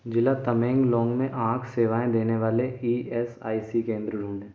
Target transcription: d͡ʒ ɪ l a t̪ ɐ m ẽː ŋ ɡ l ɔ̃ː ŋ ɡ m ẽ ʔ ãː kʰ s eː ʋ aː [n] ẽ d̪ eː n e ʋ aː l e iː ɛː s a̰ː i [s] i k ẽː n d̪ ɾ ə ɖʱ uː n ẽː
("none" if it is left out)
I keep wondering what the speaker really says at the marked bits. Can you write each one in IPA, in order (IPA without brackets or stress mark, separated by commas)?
none, s